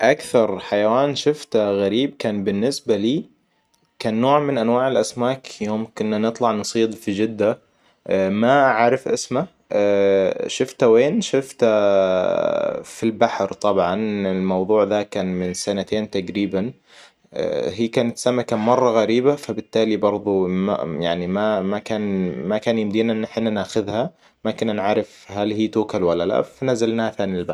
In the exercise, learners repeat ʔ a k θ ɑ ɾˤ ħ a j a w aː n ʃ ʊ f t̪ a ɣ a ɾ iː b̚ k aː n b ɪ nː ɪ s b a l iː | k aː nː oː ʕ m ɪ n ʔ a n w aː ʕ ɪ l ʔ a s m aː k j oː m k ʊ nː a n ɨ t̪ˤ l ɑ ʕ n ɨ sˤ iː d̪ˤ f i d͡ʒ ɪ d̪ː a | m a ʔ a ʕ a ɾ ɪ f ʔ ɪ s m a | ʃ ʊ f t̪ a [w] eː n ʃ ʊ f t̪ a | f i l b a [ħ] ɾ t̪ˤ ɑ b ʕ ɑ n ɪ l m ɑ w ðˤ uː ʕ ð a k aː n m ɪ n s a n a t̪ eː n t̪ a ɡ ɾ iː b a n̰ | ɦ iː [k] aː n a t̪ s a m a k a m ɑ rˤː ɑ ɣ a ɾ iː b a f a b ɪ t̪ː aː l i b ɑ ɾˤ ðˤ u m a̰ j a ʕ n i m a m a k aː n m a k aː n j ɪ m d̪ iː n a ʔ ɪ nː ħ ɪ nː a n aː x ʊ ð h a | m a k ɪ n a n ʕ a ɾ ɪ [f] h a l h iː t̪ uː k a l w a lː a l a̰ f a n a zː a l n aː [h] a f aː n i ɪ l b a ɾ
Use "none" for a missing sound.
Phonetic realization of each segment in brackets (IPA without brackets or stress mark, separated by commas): w, ħ, k, f, h